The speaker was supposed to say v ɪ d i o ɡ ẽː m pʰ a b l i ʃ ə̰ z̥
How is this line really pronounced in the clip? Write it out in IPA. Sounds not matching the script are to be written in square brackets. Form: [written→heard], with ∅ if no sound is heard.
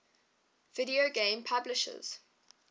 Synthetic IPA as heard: v ɪ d i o ɡ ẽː m pʰ a b l [i→ɪ] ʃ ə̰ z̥